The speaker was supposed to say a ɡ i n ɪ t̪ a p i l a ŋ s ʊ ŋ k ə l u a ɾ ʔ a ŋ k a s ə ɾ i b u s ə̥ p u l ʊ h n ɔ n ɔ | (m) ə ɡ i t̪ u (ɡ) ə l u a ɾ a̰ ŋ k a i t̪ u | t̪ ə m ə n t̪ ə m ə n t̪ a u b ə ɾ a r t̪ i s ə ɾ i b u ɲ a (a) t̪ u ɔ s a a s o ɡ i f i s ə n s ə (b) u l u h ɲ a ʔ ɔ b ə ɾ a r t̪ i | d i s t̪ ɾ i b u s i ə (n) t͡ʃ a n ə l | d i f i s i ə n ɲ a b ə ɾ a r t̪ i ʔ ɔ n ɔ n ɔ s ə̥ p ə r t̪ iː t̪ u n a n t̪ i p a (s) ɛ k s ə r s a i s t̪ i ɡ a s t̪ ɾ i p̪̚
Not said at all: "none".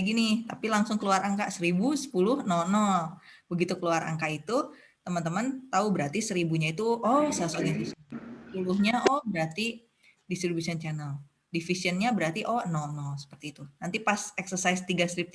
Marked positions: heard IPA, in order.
b, k, i, p, n, s

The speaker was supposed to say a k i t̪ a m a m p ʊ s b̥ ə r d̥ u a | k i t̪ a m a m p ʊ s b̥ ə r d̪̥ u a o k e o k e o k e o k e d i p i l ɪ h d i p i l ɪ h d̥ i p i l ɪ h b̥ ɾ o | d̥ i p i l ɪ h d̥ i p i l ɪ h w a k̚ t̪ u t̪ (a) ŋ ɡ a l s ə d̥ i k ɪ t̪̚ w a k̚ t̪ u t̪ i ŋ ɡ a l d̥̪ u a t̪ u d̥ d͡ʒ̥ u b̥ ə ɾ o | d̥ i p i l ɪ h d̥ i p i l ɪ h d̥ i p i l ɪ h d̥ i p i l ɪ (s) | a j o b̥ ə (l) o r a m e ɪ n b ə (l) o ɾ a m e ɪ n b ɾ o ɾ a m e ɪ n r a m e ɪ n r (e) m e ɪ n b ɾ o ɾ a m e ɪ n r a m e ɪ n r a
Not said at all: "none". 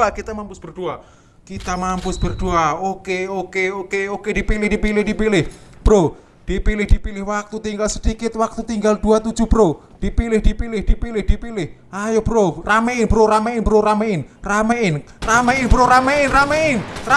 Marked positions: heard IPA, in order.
i, h, ɾ, ɾ, a

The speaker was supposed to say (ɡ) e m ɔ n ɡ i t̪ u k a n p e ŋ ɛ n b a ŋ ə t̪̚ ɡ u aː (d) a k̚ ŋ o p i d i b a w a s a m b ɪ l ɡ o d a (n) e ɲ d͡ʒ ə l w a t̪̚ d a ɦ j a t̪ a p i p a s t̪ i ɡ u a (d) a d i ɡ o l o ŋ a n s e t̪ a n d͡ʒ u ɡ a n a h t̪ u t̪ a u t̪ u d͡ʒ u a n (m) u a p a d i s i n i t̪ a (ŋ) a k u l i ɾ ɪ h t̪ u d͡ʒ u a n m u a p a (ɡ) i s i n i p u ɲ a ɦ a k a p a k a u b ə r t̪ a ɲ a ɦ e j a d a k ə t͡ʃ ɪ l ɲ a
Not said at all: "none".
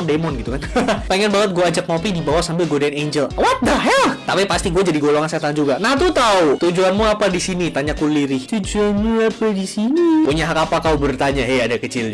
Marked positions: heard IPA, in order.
d, d͡ʒ, n, d͡ʒ, m, ɲ, d

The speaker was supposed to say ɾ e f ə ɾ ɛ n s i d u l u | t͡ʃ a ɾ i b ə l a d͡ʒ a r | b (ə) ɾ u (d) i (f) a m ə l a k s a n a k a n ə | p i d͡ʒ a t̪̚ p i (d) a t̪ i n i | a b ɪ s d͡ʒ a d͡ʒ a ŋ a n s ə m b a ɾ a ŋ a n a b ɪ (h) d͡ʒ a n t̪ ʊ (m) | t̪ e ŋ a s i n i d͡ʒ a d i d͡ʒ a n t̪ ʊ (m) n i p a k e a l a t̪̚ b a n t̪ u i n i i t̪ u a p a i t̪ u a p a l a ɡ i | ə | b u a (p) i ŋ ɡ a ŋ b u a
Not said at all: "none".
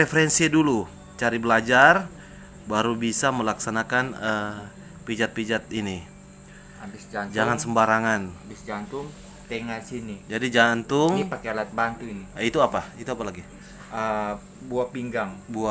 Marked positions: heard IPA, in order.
a, b, s, d͡ʒ, s, ŋ, ŋ, p

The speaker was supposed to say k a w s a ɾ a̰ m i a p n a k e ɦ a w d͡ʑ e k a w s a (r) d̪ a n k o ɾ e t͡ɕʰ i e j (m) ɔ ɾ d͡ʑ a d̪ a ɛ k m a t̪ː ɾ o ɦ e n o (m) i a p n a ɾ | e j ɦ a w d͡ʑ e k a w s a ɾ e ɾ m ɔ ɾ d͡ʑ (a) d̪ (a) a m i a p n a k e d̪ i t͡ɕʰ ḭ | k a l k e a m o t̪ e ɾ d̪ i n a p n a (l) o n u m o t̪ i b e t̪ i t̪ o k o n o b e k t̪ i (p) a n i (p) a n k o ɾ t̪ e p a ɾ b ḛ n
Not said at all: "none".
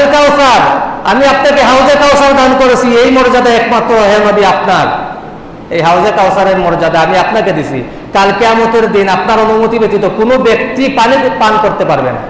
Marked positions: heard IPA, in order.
ɾ, m, b, a, a, ɾ, p, p

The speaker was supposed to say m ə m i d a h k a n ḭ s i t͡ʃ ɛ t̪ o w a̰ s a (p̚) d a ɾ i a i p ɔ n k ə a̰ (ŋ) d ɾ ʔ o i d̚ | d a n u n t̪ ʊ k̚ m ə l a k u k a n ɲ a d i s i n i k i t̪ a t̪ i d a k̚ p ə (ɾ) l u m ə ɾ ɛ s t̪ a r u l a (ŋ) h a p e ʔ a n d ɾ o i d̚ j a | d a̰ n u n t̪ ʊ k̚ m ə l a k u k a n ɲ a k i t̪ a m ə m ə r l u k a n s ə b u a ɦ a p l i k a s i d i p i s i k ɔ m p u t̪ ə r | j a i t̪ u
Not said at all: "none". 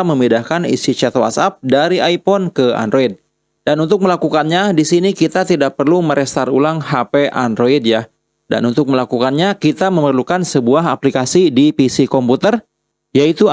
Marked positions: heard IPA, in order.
p̚, n, r, ŋ

